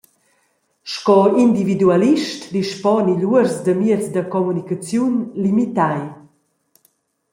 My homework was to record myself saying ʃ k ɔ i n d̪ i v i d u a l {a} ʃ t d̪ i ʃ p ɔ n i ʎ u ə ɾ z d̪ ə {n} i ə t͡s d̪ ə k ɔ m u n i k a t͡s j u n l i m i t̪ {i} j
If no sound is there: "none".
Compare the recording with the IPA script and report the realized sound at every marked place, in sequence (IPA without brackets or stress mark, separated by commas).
i, m, a